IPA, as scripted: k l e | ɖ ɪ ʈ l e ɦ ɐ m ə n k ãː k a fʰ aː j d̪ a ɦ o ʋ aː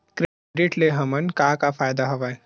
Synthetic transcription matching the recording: k ɾ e | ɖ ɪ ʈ l e ɦ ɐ m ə n k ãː k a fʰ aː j d̪ a ɦ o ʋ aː